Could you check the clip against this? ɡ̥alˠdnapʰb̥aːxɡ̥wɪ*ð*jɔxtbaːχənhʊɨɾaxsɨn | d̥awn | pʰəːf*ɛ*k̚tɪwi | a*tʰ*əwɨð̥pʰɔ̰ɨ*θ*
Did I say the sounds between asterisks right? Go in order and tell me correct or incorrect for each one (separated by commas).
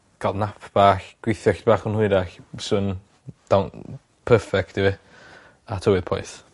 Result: incorrect, correct, correct, correct